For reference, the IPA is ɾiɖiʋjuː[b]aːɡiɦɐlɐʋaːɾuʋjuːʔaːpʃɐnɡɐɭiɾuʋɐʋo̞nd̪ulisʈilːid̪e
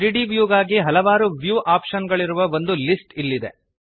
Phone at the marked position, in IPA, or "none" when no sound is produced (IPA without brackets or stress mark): ɡ